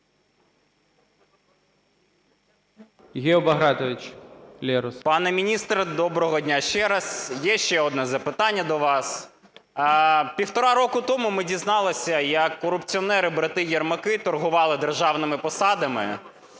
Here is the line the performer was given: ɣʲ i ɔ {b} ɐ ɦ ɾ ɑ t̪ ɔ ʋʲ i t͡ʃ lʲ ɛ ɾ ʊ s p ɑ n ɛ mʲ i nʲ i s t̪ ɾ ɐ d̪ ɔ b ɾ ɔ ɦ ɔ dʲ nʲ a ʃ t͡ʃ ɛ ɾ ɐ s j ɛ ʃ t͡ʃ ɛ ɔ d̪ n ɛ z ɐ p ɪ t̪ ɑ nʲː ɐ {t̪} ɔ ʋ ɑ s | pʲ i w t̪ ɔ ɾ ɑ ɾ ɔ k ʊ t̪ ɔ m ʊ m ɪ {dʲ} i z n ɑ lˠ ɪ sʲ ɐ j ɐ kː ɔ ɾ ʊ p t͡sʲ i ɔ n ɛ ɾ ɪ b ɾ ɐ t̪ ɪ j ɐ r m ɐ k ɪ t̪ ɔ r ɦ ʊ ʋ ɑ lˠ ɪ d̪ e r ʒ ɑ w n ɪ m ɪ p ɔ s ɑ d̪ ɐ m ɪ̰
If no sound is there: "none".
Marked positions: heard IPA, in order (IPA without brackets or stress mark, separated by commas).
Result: b, d̪, dʲ